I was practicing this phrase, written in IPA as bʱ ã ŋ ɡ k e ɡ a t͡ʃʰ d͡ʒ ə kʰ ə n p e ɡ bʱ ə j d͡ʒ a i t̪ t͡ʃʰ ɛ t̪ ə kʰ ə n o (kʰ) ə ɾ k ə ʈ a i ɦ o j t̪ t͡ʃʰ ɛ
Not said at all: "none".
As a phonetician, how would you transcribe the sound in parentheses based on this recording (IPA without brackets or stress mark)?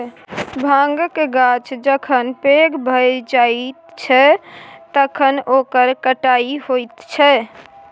k